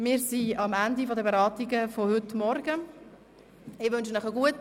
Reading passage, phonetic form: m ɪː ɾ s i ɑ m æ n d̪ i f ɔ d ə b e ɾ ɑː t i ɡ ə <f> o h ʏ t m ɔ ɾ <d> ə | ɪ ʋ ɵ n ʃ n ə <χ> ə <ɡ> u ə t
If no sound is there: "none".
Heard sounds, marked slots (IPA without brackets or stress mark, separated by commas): f, ɡ, χ, ɡ